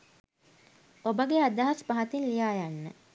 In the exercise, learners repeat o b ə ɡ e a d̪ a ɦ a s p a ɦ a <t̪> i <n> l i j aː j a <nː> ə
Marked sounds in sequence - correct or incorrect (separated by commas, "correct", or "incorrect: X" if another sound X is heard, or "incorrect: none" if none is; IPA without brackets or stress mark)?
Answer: correct, correct, correct